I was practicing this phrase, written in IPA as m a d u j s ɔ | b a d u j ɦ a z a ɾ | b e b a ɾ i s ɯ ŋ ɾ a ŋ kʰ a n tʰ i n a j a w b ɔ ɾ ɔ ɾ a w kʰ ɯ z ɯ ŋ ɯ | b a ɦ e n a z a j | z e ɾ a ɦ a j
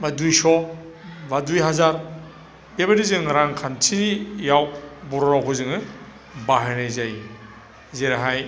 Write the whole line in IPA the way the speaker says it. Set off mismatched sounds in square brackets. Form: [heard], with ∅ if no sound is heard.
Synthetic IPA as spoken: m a d u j s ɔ | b a d u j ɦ a z a ɾ | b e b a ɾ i [z] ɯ ŋ ɾ a ŋ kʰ a n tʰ i n [i] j a w b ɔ ɾ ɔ ɾ a w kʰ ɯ z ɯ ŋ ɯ | b a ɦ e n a z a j | z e ɾ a ɦ a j